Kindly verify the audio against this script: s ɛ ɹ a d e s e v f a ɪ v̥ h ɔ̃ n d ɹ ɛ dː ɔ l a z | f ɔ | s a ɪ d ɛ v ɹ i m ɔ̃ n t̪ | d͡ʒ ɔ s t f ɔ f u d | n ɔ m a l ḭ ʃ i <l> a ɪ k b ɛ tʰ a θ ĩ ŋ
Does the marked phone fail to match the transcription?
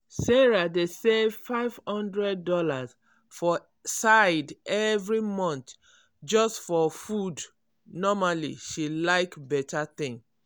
no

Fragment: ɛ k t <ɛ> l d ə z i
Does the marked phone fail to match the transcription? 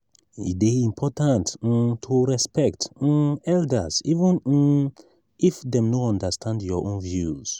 no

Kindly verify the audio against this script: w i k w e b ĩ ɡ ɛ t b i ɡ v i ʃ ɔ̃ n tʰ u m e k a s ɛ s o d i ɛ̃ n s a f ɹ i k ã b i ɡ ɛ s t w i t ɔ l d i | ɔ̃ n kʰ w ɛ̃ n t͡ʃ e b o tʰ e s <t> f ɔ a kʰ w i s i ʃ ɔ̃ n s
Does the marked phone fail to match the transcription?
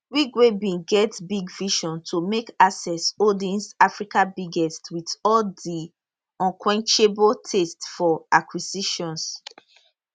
no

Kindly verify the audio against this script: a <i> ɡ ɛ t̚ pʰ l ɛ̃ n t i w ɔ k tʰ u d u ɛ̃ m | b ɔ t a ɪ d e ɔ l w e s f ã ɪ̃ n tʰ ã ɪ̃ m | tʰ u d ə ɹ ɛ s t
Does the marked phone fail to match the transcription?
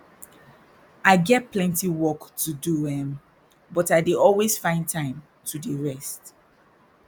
yes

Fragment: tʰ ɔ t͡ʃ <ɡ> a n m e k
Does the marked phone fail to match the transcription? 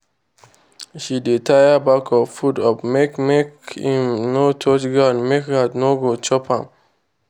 no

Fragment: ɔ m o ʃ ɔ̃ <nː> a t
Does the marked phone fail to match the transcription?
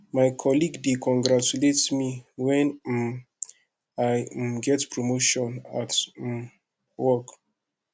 yes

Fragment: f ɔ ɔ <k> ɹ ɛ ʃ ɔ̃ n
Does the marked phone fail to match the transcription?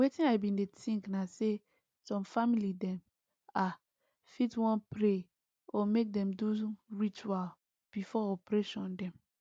yes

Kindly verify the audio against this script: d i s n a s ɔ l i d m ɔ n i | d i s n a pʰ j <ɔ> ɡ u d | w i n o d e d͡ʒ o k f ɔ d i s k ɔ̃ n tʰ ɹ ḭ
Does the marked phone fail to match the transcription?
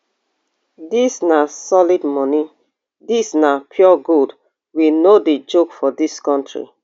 no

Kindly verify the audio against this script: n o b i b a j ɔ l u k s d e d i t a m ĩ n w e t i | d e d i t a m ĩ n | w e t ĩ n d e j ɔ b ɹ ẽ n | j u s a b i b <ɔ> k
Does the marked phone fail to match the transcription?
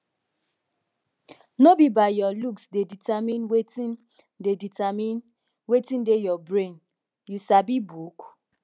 yes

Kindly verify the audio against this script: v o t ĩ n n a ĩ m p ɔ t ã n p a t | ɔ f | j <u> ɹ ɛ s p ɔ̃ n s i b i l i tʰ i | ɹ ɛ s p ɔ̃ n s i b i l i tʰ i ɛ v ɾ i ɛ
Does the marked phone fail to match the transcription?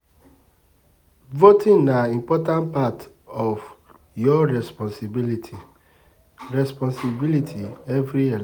yes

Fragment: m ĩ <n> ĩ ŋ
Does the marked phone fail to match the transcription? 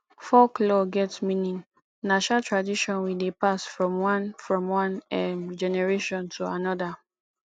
no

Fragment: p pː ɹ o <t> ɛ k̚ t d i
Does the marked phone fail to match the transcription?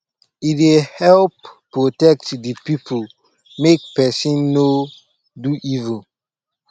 no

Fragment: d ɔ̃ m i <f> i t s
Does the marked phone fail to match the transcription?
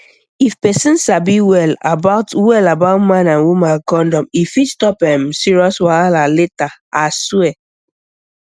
no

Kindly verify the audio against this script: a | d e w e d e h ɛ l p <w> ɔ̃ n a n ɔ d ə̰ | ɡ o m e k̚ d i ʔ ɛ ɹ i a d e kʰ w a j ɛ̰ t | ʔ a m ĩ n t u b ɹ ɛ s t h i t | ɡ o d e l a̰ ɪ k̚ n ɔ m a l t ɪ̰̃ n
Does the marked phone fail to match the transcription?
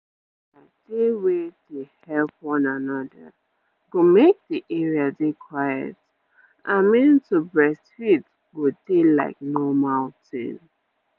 no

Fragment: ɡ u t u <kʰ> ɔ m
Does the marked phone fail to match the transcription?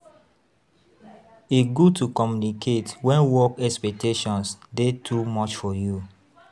yes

